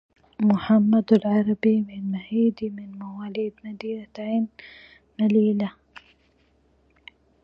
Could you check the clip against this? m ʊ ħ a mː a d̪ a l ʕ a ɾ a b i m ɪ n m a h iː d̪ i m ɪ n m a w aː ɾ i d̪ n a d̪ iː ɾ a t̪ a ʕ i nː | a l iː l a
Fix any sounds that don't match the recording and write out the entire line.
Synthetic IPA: m ʊ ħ a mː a d̪ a l ʕ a ɾ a b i m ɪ n m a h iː d̪ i m ɪ n m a w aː l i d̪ n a d̪ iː ɾ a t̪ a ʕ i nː | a l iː l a